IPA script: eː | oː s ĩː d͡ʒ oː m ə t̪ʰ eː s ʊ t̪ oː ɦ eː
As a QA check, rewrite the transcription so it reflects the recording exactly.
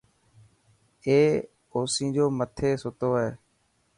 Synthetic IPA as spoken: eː | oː s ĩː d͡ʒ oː m ə t̪ʰ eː s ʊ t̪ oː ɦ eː